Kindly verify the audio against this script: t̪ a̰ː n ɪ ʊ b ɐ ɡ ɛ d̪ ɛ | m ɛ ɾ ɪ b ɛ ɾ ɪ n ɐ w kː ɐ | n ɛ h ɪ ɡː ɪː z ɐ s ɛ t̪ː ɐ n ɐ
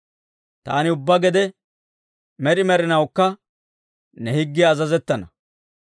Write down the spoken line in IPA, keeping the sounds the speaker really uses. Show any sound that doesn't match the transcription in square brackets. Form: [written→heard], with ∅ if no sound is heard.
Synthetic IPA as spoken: t̪ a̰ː n ɪ ʊ [b→bː] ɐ ɡ ɛ d̪ ɛ | m ɛ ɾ ɪ [b→m] ɛ ɾ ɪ n ɐ w kː ɐ | n ɛ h ɪ ɡː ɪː z ɐ [s→z] ɛ t̪ː ɐ n ɐ

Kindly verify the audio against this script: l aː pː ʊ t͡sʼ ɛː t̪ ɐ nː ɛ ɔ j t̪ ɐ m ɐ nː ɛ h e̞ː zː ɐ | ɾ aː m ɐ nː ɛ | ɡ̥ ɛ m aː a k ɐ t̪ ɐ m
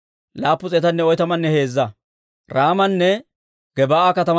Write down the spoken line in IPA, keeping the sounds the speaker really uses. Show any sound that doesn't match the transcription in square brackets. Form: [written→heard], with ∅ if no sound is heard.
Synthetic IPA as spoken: l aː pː ʊ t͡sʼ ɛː t̪ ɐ nː ɛ ɔ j t̪ ɐ m ɐ nː ɛ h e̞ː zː ɐ | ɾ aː m ɐ nː ɛ | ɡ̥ ɛ [m→b] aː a k ɐ t̪ ɐ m

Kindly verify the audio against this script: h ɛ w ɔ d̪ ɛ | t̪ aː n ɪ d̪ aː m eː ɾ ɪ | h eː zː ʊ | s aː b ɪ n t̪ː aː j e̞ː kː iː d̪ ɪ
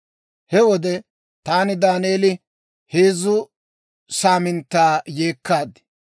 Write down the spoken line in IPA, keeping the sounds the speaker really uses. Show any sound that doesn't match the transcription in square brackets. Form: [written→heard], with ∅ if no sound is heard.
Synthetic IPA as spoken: h ɛ w ɔ d̪ ɛ | t̪ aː n ɪ d̪ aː [m→n] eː [ɾ→l] ɪ | h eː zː ʊ | s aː [b→m] ɪ n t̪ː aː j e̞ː kː [iː→aː] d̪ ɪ

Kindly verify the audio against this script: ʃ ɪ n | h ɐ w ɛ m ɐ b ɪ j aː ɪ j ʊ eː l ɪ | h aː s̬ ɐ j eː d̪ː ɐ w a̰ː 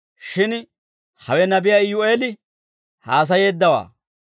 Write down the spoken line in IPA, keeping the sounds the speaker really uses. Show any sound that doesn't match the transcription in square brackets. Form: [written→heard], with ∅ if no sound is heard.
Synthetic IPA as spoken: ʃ ɪ n | h ɐ w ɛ [m→n] ɐ b ɪ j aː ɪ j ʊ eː l ɪ | h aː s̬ ɐ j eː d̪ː ɐ w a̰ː

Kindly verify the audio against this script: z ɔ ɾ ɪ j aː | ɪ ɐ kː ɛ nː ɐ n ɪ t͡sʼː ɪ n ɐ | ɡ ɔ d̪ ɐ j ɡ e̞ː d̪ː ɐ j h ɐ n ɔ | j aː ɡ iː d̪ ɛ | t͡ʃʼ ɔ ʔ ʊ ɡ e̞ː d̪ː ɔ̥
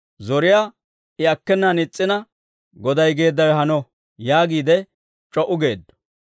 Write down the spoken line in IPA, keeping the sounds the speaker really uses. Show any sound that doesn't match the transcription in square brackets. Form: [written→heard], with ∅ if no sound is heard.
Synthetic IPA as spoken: z ɔ ɾ ɪ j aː | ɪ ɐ kː ɛ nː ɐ n ɪ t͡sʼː ɪ n ɐ | ɡ ɔ d̪ ɐ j ɡ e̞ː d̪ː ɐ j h ɐ n ɔ | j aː ɡ iː d̪ ɛ | t͡ʃʼ ɔ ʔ ʊ ɡ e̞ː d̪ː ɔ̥

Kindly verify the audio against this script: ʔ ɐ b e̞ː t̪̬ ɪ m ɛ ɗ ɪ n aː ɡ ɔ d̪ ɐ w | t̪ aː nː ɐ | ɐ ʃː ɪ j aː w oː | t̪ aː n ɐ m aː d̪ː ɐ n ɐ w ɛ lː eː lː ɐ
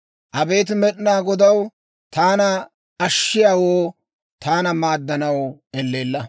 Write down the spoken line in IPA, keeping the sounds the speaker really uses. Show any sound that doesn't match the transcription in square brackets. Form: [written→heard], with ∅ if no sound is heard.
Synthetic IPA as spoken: ʔ ɐ b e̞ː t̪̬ ɪ m ɛ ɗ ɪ n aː ɡ ɔ d̪ ɐ w | t̪ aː [nː→n] ɐ | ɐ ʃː ɪ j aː w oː | t̪ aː n ɐ m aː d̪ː ɐ n ɐ w ɛ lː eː lː ɐ

